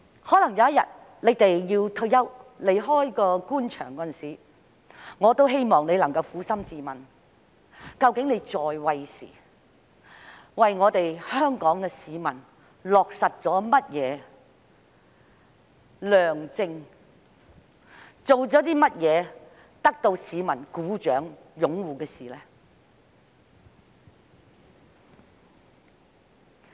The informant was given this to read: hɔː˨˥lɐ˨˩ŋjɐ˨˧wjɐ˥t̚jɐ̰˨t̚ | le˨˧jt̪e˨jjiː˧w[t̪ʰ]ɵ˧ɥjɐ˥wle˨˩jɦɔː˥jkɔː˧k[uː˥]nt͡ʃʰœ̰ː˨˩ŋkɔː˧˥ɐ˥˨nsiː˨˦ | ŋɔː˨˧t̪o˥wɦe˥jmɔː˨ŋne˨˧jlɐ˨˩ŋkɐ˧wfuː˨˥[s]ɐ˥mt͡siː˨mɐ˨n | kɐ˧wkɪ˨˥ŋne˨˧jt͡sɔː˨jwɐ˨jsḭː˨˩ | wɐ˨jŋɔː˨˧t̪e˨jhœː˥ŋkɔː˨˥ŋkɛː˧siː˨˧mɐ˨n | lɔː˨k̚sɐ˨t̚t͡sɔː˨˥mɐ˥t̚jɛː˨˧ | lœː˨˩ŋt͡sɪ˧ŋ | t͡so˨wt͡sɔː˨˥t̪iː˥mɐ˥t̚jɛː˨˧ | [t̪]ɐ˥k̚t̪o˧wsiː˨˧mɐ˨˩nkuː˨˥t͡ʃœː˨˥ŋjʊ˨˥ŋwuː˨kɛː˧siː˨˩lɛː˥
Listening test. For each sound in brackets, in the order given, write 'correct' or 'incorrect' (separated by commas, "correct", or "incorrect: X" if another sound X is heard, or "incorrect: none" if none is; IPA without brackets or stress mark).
correct, correct, correct, correct